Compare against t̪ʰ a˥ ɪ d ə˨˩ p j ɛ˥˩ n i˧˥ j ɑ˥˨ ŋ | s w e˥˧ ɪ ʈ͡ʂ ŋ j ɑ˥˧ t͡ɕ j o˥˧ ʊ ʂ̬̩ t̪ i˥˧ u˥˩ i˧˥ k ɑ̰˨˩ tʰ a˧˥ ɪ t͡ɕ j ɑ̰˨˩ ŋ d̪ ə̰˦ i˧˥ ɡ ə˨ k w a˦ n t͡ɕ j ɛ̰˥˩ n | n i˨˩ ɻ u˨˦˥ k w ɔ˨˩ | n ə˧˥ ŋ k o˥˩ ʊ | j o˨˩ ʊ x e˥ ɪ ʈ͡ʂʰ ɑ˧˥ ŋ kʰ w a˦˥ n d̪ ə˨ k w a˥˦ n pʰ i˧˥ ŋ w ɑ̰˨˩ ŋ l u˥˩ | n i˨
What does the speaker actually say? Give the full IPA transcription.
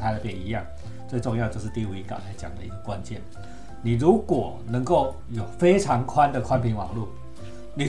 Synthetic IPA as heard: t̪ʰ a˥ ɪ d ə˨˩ p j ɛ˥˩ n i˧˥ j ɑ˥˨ ŋ | t͡s w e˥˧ ɪ ʈ͡ʂ ŋ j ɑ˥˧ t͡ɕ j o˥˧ ʊ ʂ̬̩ t̪ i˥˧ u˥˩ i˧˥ k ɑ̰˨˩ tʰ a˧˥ ɪ t͡ɕ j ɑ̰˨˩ ŋ d̪ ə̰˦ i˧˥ ɡ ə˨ k w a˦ n t͡ɕ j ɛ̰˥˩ n | n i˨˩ ɻ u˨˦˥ k w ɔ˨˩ | n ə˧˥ ŋ k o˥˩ ʊ | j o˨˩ ʊ f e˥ ɪ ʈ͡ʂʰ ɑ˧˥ ŋ kʰ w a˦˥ n d̪ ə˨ kʰ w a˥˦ n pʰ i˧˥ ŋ w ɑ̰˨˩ ŋ l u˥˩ | n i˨